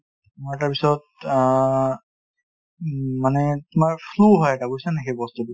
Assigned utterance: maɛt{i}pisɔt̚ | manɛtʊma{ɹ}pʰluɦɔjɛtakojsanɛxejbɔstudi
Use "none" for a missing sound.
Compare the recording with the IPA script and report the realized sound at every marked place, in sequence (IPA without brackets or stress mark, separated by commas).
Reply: a, ɹ